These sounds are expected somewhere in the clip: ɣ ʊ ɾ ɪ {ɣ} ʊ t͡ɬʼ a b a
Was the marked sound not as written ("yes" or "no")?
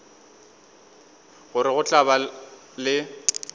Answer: no